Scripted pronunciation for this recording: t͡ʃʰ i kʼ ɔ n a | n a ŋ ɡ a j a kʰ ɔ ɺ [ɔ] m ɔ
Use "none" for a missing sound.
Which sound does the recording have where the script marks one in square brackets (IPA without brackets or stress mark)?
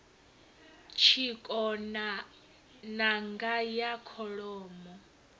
ɔː